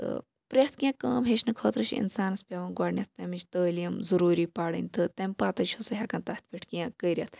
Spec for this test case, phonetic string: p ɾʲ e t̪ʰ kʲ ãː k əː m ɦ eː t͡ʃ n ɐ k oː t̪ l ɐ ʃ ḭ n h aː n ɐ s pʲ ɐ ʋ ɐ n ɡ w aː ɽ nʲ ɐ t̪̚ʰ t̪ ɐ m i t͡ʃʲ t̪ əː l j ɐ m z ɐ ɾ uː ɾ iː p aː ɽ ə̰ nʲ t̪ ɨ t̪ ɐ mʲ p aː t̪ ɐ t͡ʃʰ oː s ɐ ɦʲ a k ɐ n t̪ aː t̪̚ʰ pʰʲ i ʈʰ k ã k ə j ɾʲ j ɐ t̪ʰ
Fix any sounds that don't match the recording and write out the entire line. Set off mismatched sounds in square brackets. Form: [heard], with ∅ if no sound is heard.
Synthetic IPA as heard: p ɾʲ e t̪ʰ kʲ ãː k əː m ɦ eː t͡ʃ n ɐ [kʰ] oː t̪ [ɾ] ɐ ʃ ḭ n [s] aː n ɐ s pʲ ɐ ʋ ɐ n ɡ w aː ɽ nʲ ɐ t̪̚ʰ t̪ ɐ m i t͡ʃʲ t̪ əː l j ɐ m z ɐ ɾ uː ɾ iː p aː ɽ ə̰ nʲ t̪ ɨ t̪ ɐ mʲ p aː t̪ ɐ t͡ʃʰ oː s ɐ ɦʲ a k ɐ n t̪ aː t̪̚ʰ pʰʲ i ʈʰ k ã k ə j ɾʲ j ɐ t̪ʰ